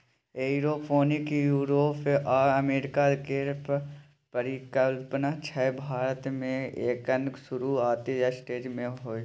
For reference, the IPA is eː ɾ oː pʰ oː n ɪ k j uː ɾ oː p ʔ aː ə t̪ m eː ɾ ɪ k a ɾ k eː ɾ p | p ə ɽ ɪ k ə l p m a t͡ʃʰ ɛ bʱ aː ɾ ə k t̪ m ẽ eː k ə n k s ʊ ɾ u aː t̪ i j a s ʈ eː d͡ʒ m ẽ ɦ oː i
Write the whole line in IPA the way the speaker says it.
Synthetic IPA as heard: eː ɾ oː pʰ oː n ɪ k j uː ɾ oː p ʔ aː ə m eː ɾ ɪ k a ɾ k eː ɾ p | p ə ɾ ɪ k ə l p n a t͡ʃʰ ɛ bʱ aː ɾ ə t̪ m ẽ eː k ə n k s ʊ ɾ u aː t̪ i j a s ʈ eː d͡ʒ m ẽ ɦ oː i